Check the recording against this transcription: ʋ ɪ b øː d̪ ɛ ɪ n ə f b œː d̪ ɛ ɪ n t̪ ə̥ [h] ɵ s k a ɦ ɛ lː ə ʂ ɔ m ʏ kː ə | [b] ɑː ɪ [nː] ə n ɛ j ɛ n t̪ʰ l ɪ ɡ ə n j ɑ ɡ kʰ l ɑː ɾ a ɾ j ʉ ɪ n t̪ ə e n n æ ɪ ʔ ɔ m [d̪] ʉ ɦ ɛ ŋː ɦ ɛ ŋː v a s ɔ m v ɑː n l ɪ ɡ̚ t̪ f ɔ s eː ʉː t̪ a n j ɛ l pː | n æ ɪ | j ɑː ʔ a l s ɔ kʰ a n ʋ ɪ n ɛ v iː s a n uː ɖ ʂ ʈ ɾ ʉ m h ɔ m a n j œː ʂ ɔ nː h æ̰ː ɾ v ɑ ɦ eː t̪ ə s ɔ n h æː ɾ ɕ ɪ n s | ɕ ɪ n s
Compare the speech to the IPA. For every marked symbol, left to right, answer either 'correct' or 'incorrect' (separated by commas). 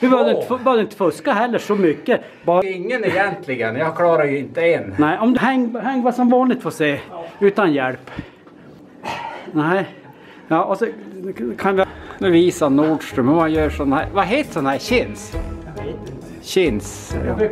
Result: incorrect, correct, incorrect, correct